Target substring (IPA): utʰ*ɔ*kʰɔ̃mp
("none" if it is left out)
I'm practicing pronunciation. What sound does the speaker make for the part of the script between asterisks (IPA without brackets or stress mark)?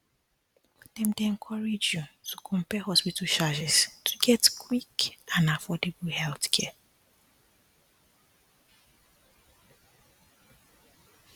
u